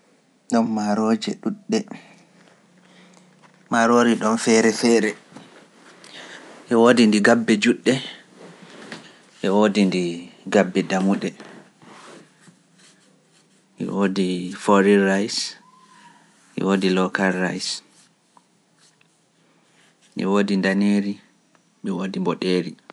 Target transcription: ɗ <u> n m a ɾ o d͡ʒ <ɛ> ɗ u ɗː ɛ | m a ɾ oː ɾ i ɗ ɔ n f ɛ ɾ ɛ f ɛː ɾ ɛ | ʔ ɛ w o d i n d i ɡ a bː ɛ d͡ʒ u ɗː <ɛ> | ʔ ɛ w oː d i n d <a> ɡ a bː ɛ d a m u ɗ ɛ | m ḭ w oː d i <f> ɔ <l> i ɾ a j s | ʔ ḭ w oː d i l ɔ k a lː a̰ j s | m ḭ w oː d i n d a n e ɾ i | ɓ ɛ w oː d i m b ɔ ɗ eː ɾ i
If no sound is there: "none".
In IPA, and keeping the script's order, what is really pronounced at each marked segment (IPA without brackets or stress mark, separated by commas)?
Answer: ɔ, ɛ, ɛ, i, f, ɾ